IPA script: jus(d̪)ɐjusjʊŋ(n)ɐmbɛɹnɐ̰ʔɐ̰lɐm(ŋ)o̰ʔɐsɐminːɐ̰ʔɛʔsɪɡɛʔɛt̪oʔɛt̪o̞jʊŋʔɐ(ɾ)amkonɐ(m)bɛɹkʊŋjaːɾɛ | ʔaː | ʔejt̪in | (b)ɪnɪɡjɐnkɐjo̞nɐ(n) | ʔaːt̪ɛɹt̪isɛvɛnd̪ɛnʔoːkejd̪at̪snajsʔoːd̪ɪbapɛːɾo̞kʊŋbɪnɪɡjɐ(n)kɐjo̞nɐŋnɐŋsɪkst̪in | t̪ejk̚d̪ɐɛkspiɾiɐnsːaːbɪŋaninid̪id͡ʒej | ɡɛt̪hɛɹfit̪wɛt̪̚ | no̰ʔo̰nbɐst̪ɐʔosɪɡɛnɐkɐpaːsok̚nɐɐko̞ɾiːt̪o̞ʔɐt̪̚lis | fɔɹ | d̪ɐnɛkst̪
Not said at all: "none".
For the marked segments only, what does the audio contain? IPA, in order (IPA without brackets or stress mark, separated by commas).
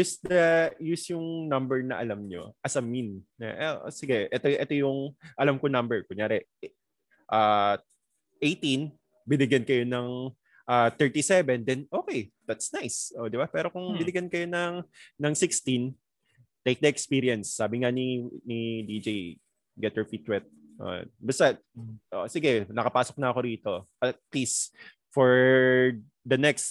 d̪, n, ɲ, l, m, b, ŋ, n